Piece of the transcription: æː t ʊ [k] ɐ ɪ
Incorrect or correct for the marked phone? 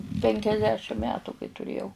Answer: correct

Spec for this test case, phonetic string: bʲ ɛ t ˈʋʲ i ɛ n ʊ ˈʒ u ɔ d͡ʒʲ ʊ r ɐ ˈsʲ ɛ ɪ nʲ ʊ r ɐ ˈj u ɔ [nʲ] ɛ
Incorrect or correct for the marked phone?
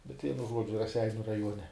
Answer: correct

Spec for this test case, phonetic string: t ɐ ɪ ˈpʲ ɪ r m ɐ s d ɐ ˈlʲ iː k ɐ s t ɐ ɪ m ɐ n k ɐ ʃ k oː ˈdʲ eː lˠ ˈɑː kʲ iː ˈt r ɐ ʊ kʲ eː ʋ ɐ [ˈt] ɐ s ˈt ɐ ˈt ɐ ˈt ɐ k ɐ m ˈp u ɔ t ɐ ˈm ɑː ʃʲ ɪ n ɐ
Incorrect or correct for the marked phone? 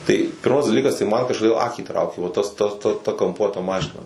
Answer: correct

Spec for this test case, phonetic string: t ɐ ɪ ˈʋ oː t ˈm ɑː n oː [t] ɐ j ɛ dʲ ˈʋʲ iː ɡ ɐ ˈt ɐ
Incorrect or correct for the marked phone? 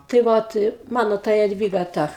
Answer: correct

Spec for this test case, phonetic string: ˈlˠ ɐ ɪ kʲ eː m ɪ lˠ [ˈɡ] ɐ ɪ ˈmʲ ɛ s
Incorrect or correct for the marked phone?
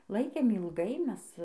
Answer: correct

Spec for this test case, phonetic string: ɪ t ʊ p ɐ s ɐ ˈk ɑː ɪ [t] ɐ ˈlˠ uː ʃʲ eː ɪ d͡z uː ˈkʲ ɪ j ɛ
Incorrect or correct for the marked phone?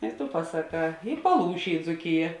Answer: incorrect: p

